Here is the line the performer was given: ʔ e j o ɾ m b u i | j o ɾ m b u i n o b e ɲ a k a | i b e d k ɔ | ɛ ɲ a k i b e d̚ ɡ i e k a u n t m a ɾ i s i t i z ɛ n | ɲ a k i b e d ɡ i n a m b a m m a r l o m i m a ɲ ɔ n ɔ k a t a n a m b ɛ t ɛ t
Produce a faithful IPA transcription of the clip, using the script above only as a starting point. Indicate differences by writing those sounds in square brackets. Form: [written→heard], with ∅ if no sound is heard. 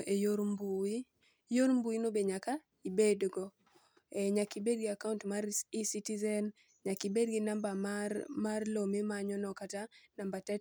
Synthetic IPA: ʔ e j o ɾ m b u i | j o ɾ m b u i n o b e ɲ a k a | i b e d [k→ɡ] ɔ | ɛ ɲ a k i b e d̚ ɡ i [e→a] k a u n t m a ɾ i s i t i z ɛ n | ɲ a k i b e d ɡ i n a m b a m m a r l o m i m a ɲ ɔ n ɔ k a t a n a m b [ɛ→a] t ɛ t